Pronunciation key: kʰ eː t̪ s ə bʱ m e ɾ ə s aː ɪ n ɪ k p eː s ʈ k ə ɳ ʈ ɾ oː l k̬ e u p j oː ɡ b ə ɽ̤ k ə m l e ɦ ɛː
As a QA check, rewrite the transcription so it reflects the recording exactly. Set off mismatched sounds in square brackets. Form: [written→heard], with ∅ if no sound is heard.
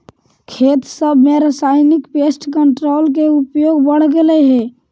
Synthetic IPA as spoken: kʰ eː t̪ s ə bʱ m e ɾ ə s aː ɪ n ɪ k p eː s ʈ k ə ɳ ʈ ɾ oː l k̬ e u p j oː ɡ b ə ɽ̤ [k→ɡ] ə [m→∅] l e ɦ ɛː